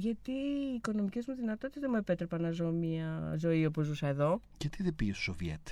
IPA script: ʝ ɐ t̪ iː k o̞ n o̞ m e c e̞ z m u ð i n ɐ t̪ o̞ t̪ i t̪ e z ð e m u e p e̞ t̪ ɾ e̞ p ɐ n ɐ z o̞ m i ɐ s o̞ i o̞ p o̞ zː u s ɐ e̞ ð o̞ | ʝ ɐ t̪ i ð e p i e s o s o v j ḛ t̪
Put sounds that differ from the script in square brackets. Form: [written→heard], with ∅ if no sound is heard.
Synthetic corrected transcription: ʝ ɐ t̪ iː k o̞ n o̞ m [e→i] c e̞ z m u ð i n ɐ t̪ o̞ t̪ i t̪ e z ð e m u e p e̞ t̪ ɾ e̞ p ɐ n ɐ z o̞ m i ɐ [s→z] o̞ i o̞ p o̞ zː u s ɐ e̞ ð o̞ | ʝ ɐ t̪ i ð e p i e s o s o v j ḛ t̪